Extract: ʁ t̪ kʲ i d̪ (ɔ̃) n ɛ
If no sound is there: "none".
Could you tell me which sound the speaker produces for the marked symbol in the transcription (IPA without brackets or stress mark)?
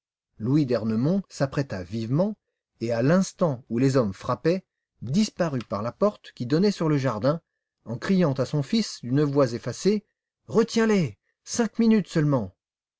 ɔ